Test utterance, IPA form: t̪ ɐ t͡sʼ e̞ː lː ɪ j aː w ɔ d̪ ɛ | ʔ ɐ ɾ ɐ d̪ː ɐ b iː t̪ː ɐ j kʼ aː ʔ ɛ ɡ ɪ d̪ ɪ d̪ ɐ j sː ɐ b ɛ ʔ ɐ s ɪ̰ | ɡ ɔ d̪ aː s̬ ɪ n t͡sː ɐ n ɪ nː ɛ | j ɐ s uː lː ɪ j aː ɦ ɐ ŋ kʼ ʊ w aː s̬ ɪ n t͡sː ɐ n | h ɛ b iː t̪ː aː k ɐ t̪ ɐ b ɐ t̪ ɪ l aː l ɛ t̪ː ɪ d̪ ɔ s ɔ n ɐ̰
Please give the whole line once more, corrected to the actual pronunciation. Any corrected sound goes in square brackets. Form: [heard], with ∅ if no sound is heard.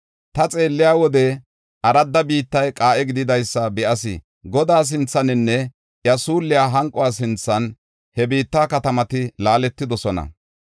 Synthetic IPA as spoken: t̪ ɐ t͡sʼ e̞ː lː ɪ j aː w ɔ d̪ ɛ | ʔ ɐ ɾ ɐ d̪ː ɐ b iː t̪ː ɐ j kʼ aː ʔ ɛ ɡ ɪ d̪ ɪ d̪ ɐ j sː ɐ b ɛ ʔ ɐ s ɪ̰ | ɡ ɔ d̪ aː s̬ ɪ n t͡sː ɐ n ɪ nː ɛ | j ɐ s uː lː ɪ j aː ɦ ɐ ŋ kʼ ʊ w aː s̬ ɪ n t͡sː ɐ n | h ɛ b iː t̪ː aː k ɐ t̪ ɐ [m] ɐ t̪ ɪ l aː l ɛ t̪ː ɪ d̪ ɔ s ɔ n ɐ̰